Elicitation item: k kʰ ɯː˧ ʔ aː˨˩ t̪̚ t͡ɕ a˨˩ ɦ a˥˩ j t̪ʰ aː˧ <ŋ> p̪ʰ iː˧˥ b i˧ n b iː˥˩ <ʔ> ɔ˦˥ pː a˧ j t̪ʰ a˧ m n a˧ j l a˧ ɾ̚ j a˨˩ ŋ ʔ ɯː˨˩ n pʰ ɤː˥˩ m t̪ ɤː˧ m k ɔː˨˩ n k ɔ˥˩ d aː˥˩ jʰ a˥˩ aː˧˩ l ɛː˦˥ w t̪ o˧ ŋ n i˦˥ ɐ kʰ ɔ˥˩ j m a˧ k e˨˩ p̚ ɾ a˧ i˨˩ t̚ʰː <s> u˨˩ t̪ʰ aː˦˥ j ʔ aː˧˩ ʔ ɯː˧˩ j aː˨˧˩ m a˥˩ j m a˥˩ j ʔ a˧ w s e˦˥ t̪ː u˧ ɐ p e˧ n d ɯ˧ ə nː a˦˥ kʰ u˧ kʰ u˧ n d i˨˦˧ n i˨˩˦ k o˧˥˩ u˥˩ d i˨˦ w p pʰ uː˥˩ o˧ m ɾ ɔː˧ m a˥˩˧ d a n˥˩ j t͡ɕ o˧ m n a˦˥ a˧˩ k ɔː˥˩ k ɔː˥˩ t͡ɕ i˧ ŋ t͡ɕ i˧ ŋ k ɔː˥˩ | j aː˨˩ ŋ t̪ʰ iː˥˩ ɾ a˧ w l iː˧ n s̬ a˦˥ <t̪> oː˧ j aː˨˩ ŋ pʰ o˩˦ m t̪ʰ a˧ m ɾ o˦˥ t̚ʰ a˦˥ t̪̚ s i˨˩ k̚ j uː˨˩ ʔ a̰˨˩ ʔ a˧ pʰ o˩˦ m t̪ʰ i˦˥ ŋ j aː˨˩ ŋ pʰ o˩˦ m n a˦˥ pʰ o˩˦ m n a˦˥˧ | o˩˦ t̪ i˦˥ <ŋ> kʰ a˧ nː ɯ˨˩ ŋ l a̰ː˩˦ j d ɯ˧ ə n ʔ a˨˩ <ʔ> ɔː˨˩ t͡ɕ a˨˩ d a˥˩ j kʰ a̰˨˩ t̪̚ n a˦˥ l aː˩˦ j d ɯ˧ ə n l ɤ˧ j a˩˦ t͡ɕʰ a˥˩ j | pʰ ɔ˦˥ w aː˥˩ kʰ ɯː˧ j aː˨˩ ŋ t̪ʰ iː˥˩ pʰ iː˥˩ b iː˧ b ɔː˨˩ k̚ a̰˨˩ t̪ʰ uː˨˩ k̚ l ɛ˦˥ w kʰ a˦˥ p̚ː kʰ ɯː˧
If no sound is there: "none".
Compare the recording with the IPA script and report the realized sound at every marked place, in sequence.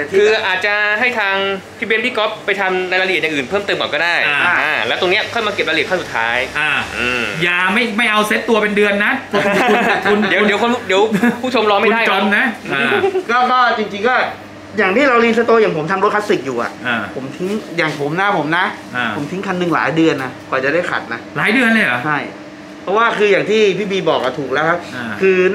ŋ, k, s, t̪, ŋ, k

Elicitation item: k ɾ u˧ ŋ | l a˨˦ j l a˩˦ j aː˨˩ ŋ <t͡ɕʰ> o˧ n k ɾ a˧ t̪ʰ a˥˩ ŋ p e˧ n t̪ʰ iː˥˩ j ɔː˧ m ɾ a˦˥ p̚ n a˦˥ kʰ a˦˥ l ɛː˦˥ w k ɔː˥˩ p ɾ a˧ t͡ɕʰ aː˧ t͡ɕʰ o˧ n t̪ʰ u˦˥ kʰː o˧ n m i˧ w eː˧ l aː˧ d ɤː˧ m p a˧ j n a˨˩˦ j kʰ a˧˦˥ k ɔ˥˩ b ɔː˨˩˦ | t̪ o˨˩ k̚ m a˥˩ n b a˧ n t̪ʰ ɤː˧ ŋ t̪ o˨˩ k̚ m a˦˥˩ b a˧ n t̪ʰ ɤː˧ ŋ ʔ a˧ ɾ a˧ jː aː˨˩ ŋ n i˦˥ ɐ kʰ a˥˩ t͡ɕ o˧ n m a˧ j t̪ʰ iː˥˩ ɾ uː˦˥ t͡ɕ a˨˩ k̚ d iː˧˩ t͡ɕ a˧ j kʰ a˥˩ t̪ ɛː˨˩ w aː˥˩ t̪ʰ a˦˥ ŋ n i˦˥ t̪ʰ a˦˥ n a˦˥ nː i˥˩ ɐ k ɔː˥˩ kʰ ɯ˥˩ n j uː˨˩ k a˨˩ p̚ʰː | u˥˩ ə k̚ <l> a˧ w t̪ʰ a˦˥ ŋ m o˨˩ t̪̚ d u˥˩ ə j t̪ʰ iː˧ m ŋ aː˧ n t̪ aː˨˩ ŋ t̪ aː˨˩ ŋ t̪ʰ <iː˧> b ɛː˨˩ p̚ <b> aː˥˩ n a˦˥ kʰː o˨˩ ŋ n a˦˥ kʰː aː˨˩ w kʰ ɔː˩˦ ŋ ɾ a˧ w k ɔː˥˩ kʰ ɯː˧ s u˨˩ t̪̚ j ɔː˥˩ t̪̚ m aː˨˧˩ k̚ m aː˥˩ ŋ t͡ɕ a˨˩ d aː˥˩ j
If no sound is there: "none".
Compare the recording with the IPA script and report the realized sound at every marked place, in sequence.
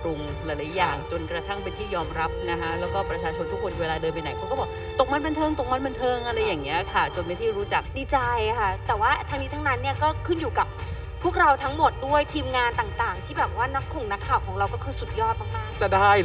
t͡ɕ, ɾ, iː˥˩, w

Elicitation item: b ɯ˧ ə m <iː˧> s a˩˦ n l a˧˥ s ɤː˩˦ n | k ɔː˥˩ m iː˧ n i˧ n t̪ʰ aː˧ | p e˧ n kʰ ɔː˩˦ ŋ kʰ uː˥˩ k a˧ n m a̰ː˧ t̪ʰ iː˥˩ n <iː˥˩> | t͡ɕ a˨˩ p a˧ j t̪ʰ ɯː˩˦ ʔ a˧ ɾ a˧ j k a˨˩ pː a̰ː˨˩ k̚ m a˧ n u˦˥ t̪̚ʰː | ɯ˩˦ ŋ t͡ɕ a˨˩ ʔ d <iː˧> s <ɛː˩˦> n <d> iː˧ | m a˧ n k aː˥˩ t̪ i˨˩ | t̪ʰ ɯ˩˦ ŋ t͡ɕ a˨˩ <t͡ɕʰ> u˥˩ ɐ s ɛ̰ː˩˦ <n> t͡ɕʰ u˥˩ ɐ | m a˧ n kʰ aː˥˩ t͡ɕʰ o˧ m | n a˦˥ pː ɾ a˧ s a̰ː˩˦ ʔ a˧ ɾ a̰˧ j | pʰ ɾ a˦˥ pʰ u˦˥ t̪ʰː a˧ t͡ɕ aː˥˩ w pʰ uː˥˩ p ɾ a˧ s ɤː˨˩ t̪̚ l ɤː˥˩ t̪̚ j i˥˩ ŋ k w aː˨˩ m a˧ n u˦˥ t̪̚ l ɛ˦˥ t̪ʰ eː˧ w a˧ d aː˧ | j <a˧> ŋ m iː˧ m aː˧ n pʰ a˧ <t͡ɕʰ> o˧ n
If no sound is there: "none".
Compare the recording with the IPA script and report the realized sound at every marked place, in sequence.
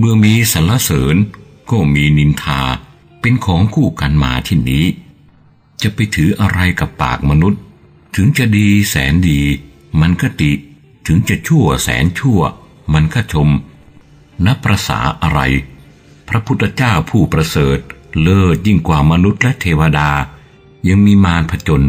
iː˧, iː˦˥, iː˧, ɛː˩˦, d, t͡ɕʰ, n, a˧, t͡ɕ

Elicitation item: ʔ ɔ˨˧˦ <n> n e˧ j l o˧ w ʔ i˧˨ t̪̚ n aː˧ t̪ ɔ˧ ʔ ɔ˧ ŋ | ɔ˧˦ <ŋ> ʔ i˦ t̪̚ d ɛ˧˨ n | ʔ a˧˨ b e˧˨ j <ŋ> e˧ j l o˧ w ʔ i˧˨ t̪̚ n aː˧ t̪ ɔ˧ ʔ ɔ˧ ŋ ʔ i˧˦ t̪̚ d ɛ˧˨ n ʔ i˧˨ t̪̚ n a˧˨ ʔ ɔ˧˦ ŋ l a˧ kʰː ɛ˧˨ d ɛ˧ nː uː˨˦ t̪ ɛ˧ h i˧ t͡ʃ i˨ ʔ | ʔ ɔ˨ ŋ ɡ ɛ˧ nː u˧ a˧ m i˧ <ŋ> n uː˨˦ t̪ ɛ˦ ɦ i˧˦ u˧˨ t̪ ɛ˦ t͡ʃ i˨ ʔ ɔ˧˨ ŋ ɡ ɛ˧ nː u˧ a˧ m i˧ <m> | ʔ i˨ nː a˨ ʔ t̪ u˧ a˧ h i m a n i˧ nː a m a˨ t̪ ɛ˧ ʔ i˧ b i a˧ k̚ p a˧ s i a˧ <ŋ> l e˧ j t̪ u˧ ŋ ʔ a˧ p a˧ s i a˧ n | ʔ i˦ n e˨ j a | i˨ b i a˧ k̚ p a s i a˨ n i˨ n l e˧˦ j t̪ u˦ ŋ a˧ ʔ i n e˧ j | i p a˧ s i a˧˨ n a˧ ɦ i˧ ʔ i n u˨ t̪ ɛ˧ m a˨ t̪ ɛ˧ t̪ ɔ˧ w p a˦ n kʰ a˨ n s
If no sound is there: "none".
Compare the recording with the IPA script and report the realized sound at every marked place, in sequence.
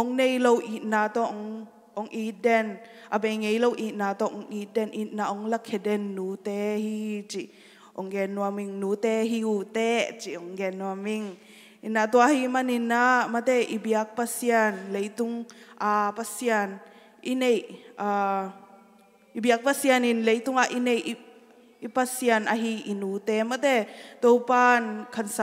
ŋ, ŋ, ŋ, ŋ, ŋ, n

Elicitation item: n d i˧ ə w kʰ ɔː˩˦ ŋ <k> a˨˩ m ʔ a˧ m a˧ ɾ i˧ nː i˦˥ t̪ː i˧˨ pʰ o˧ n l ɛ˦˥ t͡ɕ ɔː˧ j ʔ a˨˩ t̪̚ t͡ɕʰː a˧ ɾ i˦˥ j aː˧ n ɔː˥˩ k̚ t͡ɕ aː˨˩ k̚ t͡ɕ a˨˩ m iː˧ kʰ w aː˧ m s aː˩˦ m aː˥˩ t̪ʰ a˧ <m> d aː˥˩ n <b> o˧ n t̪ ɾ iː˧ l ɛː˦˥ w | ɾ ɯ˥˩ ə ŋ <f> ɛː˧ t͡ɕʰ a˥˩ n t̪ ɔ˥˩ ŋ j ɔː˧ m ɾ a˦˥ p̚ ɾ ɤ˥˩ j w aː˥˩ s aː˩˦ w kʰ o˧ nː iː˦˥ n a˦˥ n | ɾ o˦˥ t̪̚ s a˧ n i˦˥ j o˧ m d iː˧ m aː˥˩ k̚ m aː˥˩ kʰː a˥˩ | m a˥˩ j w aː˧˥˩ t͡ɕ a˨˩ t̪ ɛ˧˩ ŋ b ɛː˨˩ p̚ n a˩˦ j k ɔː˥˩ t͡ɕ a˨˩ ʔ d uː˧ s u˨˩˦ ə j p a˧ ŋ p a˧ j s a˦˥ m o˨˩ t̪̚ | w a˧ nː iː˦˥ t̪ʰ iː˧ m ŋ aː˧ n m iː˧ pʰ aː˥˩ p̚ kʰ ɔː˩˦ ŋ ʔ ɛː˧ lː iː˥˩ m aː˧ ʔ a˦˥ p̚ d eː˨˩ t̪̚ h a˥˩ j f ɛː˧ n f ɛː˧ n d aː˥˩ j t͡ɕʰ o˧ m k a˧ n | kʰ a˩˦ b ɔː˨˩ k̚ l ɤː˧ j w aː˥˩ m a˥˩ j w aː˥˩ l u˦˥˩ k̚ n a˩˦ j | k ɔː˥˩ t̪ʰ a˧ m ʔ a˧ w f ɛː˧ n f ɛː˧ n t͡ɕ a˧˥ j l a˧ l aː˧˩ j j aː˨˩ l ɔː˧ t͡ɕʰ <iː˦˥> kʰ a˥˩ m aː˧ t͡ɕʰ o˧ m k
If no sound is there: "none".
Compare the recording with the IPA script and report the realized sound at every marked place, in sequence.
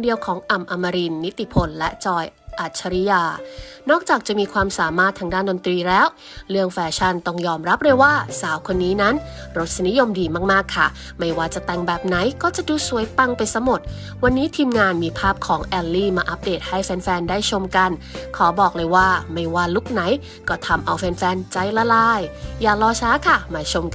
ʔ, ŋ, d, f, aː˦˥

